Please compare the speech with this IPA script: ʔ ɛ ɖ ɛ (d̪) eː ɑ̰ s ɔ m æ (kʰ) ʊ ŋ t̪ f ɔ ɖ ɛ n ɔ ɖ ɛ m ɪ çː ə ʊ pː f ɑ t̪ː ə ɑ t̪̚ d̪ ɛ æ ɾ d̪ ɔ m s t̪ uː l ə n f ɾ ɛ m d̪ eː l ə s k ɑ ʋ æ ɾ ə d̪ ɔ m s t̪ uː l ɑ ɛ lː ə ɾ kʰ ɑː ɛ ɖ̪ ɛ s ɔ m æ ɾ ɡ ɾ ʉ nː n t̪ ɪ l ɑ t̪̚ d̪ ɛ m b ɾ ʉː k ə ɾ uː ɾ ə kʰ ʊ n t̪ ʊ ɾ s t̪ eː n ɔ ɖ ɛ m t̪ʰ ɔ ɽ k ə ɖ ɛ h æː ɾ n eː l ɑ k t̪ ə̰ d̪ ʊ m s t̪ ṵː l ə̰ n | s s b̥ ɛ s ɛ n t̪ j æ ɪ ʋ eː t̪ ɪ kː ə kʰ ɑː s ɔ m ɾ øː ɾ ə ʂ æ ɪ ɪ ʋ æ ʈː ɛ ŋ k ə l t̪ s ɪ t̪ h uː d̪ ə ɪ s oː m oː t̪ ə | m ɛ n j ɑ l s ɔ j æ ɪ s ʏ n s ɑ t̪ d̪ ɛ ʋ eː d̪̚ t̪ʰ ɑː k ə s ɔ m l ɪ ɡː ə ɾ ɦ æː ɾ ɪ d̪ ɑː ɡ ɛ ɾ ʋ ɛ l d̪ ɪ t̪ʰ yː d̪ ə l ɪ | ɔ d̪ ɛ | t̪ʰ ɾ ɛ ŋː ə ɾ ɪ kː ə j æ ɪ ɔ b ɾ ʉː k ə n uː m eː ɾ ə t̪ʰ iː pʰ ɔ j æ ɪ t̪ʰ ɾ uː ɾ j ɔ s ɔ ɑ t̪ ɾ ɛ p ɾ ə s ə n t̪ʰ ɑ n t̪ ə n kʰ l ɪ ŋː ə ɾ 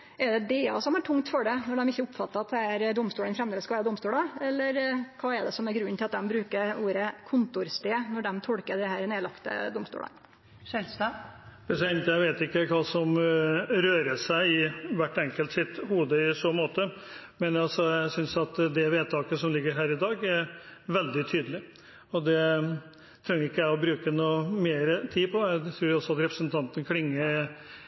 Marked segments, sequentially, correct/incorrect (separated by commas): correct, incorrect